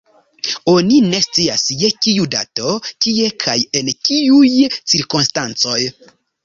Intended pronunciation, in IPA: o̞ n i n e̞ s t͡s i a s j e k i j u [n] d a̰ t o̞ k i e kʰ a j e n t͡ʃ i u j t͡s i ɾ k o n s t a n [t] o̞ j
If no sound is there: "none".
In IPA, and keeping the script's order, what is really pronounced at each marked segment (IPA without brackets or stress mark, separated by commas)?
none, t͡s